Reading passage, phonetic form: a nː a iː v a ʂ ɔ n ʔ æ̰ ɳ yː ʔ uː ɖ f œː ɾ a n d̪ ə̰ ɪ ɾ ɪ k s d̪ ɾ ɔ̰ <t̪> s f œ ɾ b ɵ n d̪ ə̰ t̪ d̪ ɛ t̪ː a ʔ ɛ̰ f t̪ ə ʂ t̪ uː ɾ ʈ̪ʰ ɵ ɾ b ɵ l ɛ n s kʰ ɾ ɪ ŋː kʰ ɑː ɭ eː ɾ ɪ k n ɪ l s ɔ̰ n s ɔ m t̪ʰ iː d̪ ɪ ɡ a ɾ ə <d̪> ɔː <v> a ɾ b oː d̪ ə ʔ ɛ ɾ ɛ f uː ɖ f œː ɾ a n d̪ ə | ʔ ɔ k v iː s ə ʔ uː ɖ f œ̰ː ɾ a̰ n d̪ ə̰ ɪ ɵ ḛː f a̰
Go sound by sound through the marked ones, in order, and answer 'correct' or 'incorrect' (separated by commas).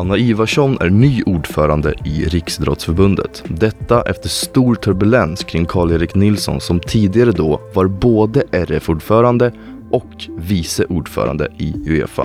correct, correct, correct